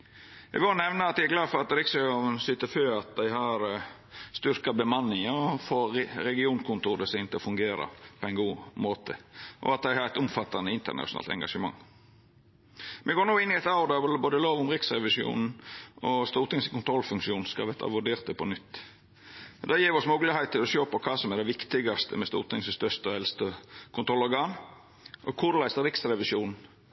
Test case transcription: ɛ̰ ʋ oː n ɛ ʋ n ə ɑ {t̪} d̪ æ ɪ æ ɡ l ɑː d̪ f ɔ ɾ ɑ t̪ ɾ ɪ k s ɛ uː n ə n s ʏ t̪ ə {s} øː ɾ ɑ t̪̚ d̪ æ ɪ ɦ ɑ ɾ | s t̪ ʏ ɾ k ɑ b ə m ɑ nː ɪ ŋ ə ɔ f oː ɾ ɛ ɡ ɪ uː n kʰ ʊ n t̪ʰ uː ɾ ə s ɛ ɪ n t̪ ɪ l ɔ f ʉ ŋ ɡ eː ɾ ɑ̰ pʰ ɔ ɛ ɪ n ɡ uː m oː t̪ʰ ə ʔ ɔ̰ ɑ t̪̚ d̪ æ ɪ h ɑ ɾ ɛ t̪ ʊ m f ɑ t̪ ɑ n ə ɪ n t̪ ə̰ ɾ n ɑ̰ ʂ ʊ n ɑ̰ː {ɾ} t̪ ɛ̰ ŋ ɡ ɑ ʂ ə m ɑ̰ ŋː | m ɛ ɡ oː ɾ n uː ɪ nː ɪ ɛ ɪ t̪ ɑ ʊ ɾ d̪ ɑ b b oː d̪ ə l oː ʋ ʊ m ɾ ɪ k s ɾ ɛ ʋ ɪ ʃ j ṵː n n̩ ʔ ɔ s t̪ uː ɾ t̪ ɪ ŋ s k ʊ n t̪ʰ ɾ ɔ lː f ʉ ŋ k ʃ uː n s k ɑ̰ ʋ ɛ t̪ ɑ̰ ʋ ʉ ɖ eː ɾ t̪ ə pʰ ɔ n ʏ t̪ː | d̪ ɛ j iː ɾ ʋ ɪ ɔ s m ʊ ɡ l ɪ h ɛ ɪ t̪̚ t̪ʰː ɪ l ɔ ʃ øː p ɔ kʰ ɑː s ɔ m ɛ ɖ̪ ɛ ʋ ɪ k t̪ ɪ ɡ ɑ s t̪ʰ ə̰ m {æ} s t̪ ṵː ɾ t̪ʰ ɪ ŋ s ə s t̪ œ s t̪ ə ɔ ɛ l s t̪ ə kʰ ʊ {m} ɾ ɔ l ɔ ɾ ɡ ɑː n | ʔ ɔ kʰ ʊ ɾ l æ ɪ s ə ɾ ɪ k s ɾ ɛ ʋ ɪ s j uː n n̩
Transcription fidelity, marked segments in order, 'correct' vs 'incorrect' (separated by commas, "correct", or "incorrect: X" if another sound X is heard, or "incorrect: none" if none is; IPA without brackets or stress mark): correct, incorrect: f, incorrect: l, incorrect: ɛ, incorrect: n